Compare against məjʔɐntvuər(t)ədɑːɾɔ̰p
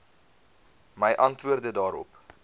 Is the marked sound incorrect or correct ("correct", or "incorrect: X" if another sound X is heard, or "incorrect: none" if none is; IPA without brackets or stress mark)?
incorrect: d